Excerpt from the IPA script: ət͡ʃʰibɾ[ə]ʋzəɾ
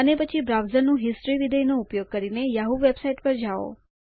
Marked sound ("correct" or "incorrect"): incorrect